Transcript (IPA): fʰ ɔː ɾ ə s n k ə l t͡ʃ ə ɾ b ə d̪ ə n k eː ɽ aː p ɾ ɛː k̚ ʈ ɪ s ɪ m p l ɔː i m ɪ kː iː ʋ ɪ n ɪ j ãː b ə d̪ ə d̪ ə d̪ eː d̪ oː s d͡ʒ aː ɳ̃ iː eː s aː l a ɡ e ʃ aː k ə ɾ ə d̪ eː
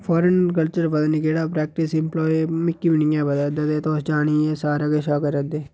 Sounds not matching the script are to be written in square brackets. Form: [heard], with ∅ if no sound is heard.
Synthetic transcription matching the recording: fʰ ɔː ɾ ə [∅] n k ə l t͡ʃ ə ɾ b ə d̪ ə n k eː ɽ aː p ɾ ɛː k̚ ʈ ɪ s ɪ m p l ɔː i m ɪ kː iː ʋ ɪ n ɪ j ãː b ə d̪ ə d̪ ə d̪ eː [t̪] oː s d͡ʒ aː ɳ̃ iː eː s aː [ɾ] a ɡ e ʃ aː k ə ɾ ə d̪ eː